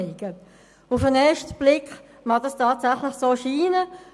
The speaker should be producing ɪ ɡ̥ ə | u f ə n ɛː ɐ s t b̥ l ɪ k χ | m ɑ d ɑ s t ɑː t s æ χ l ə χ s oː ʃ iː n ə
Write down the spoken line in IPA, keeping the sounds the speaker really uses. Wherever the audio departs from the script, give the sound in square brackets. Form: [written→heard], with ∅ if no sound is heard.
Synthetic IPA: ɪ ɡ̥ ə | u f ə n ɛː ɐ [s→ʃ] t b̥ l ɪ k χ | m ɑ d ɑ s t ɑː t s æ χ l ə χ s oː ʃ iː n ə